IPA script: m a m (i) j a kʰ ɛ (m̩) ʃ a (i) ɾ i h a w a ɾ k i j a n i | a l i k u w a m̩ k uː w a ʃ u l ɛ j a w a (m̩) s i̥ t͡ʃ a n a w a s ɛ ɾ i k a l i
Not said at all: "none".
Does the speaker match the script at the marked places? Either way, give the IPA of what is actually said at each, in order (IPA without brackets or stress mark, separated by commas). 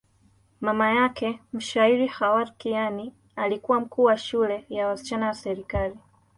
a, m̩, i, none